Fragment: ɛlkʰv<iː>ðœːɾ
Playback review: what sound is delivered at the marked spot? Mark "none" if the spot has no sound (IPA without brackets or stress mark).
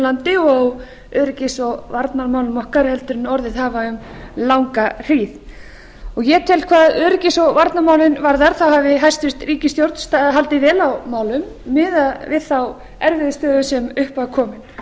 aː